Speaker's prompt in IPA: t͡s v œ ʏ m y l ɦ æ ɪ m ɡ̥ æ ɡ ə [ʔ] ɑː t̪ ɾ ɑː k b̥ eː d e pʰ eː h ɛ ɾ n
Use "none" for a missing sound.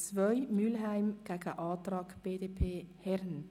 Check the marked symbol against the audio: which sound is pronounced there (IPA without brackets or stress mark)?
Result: ʔ